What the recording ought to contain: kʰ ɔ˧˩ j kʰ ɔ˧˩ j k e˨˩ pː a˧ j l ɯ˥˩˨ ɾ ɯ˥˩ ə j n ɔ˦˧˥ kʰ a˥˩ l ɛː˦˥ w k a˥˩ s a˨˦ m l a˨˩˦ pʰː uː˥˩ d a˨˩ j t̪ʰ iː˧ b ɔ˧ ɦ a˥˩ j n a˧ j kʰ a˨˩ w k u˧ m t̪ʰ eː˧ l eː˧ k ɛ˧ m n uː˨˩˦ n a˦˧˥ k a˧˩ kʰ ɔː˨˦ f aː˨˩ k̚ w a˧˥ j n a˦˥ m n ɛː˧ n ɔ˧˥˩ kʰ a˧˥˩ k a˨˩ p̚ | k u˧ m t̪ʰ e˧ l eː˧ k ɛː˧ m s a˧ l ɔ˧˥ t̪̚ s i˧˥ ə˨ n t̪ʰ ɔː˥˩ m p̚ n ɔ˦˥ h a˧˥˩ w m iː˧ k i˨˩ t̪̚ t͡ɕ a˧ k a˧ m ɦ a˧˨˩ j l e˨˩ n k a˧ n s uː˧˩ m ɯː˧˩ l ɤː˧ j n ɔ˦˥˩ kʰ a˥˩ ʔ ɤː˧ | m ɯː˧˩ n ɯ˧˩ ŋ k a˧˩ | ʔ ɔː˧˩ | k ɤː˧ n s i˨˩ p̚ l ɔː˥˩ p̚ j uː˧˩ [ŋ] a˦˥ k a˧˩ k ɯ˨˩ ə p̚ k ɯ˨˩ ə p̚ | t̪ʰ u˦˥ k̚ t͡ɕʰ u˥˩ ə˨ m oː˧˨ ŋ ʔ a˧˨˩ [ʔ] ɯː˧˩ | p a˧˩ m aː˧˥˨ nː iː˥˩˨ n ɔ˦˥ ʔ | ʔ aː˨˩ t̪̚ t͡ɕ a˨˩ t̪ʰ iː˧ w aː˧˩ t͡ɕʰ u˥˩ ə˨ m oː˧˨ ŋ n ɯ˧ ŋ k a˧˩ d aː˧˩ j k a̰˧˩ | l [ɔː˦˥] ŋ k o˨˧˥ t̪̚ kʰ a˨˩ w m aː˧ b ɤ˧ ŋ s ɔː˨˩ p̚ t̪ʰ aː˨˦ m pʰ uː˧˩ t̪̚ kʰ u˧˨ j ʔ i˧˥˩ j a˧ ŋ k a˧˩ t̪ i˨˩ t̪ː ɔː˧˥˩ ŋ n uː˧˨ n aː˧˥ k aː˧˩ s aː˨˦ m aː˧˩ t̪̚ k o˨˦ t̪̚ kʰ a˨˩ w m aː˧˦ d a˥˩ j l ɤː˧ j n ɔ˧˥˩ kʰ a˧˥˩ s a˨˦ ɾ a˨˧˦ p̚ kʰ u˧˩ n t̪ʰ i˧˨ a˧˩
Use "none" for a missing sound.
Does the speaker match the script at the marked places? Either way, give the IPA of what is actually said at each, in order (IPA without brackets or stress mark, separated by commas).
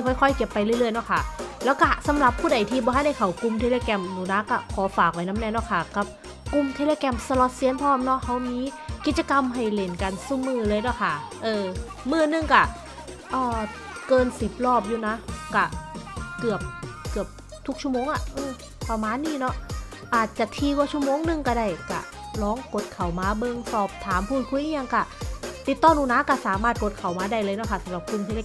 n, ʔ, ɔː˦˥